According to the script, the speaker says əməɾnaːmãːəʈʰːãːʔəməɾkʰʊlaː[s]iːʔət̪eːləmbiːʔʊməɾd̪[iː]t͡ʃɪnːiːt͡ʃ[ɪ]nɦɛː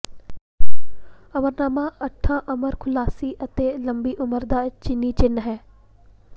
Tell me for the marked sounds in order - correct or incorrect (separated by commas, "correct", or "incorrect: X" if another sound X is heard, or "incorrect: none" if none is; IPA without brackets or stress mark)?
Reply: correct, incorrect: aː, correct